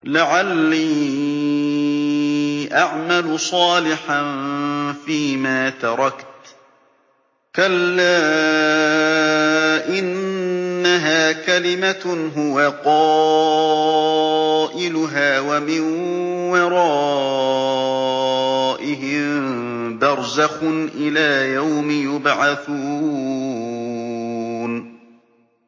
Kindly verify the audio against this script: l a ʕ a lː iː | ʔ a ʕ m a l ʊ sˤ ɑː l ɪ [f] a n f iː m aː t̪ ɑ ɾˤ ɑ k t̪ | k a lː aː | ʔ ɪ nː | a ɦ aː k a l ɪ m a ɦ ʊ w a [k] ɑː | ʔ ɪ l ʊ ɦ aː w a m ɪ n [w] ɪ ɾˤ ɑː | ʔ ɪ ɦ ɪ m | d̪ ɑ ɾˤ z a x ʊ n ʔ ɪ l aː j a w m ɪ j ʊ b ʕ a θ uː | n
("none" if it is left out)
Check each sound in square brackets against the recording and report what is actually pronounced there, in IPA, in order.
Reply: ħ, q, w

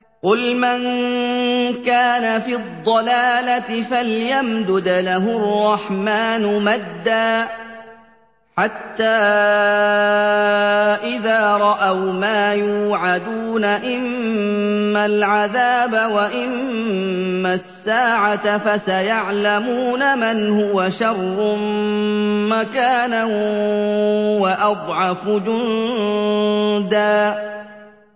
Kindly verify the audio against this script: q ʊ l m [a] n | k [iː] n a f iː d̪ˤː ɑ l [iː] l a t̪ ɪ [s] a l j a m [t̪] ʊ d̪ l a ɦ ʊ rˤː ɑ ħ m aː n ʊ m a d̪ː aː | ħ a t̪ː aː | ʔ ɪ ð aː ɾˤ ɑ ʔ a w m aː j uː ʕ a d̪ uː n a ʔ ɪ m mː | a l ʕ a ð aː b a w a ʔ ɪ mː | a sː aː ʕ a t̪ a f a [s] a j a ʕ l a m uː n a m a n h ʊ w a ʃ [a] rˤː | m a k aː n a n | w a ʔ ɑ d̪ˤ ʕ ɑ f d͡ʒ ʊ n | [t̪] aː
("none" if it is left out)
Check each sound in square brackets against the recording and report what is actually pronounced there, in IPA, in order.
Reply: a, aː, aː, f, d̪, s, ɑ, d̪

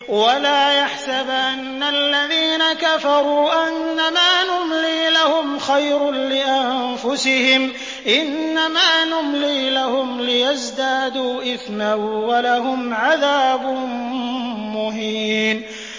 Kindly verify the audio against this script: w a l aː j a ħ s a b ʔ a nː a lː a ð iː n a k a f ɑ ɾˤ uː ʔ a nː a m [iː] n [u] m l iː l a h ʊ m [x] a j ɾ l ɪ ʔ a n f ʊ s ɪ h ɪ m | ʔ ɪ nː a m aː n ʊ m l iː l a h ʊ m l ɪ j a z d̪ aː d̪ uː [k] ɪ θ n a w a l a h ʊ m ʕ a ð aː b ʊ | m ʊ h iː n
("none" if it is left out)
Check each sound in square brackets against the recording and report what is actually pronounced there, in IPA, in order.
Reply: aː, ʊ, x, ʔ

